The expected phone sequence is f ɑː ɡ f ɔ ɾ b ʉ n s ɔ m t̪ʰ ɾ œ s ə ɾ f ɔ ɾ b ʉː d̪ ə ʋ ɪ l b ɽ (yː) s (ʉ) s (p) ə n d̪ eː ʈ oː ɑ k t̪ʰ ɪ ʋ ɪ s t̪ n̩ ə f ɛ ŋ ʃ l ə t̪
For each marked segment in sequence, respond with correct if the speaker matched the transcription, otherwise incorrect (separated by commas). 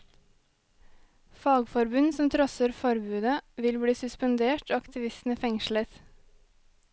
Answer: incorrect, correct, correct